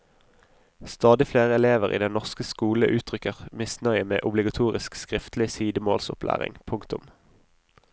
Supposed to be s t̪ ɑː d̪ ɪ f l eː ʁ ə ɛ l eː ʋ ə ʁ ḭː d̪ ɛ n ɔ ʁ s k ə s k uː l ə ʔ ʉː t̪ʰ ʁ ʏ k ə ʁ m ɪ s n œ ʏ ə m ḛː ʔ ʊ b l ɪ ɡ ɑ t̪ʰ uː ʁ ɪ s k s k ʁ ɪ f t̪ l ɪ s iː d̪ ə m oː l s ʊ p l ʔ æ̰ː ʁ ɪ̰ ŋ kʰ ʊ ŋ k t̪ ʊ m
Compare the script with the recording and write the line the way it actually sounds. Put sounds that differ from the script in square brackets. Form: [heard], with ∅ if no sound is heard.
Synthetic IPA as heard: s t̪ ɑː d̪ ɪ f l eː ʁ ə ɛ l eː ʋ ə ʁ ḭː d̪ ɛ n ɔ ʁ s k ə s k uː l ə ʔ ʉː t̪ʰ ʁ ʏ k ə ʁ m ɪ s n œ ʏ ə m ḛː ʔ ʊ b l ɪ ɡ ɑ t̪ʰ uː ʁ ɪ s k s k ʁ ɪ f t̪ l ɪ s iː d̪ ə m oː l s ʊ p l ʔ æ̰ː ʁ ɪ̰ ŋ [pʰ] ʊ ŋ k t̪ ʊ m